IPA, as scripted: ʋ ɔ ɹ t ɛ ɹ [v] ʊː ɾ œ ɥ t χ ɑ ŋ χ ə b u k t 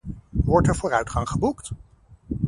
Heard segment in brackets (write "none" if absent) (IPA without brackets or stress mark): v